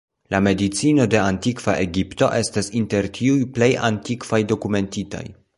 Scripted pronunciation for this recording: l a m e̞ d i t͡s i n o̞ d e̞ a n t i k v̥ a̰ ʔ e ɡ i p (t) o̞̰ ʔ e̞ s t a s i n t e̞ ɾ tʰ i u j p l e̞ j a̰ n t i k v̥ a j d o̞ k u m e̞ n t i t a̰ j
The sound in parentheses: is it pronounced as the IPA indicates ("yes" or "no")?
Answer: yes